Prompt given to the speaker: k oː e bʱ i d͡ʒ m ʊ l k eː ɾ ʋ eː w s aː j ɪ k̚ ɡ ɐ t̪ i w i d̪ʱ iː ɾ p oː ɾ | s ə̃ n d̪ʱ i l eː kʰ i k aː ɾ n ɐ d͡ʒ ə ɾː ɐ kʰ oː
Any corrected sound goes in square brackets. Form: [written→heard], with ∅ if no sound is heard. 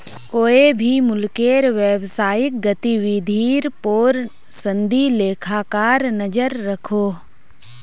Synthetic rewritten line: k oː e bʱ i [d͡ʒ→∅] m ʊ l k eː ɾ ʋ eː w s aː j ɪ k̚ ɡ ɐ t̪ i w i d̪ʱ iː ɾ p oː ɾ | s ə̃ n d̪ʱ i l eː kʰ [i→a] k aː ɾ n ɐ d͡ʒ ə ɾː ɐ kʰ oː